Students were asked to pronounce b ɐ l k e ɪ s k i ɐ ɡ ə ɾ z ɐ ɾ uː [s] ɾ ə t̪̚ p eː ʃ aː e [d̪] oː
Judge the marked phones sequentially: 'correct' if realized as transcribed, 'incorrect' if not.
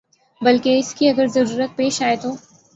incorrect: none, incorrect: t̪

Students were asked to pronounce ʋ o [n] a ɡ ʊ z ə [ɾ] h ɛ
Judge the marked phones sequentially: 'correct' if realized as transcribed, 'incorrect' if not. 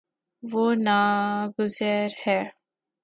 correct, correct

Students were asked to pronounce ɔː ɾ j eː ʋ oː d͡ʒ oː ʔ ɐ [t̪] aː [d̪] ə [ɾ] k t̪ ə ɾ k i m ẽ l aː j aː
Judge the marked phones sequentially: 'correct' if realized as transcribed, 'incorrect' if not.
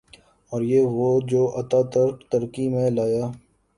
correct, incorrect: t̪, correct

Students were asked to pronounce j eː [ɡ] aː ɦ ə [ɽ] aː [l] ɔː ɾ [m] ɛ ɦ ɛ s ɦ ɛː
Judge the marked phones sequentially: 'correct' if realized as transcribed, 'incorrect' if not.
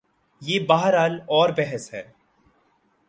incorrect: b, incorrect: ɾ, correct, incorrect: b

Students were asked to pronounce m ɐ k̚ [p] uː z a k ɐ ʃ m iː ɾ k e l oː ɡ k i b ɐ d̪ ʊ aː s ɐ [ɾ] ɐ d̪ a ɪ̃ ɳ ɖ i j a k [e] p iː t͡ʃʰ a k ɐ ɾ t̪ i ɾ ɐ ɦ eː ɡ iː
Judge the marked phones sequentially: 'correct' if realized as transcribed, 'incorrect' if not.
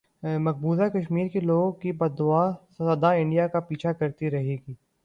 incorrect: b, incorrect: none, incorrect: a

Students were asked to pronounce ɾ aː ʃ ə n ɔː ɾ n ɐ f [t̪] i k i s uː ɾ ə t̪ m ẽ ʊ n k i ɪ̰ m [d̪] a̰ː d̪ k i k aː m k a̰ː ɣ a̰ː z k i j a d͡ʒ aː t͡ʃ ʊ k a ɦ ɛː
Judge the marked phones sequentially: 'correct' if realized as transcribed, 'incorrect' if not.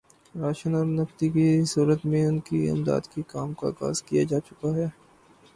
correct, correct

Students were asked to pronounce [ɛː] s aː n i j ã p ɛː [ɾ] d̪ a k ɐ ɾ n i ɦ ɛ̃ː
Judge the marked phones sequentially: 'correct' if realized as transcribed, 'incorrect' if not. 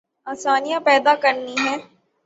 incorrect: aː, incorrect: none

